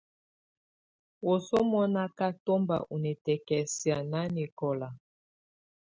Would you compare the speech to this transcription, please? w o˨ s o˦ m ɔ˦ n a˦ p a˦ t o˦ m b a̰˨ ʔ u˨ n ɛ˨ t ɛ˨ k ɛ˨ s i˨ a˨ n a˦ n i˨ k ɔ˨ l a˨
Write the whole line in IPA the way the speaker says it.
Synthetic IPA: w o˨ s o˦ m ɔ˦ n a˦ k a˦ t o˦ m b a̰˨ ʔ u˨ n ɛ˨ t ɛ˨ k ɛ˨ s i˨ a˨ n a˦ n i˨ k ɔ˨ l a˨